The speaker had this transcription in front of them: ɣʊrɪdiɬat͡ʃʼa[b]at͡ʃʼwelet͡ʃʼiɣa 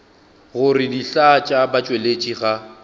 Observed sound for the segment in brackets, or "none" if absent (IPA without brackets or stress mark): b